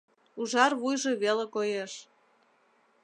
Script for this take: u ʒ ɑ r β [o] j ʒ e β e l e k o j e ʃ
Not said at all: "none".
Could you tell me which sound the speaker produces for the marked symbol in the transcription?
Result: u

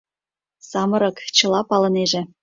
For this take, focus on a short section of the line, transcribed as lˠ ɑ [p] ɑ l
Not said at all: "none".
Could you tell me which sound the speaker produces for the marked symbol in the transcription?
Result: p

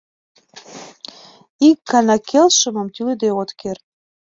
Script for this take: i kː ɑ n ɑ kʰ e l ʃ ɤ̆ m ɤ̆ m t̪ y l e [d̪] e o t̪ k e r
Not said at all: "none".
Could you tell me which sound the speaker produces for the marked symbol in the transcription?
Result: d̪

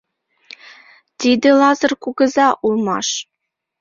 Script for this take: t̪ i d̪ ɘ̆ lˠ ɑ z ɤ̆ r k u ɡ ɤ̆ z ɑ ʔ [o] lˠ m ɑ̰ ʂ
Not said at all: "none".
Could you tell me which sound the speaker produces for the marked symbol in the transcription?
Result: u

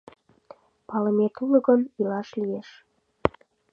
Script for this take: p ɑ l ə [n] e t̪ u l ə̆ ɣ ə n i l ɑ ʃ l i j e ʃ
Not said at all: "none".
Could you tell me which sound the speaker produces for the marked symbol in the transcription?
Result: m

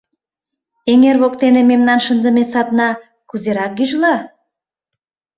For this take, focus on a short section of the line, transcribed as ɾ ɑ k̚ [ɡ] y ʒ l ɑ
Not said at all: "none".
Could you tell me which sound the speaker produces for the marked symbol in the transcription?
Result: ɡ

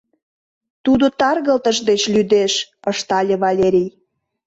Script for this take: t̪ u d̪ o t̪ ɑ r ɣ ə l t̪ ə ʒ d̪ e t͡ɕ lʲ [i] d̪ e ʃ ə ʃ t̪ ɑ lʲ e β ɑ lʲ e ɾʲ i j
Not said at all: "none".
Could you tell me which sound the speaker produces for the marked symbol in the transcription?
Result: y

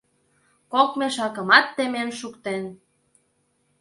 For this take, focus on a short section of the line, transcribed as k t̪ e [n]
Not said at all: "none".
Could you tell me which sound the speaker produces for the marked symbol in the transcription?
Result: n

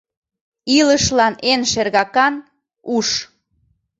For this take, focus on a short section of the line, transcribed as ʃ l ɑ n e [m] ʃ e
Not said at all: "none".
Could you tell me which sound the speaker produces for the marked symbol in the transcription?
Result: n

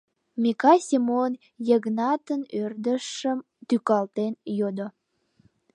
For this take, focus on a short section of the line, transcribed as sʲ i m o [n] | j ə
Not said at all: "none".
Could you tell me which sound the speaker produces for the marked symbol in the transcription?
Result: n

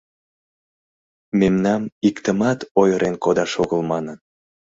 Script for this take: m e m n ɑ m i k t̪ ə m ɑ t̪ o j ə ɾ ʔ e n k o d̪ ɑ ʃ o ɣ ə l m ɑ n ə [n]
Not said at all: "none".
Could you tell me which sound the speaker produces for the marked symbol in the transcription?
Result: n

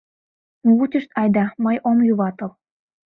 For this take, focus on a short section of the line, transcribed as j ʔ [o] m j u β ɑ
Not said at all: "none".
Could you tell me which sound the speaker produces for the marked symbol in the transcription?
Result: o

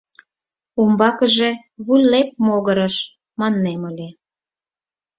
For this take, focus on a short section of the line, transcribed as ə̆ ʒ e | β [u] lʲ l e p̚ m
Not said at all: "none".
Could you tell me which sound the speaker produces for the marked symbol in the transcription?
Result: u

